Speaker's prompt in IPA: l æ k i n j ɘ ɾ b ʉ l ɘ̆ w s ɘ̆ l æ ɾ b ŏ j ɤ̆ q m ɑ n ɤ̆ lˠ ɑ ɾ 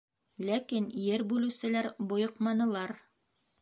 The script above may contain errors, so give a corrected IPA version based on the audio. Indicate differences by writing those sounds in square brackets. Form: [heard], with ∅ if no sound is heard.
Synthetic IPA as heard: l æ k i n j ɘ ɾ b ʉ l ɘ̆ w s ɘ̆ l æ ɾ b ŏ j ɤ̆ q m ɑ n ɤ̆ lˠ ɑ ɾ